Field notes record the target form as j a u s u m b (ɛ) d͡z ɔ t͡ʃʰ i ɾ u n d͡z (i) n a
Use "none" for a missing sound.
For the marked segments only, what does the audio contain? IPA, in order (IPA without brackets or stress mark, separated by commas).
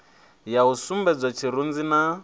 ɛ, i